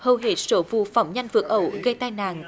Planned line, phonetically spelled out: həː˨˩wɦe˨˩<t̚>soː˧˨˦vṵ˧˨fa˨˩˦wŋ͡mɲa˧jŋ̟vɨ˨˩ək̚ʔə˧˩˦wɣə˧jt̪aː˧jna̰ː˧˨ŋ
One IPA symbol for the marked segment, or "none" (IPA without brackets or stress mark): t̚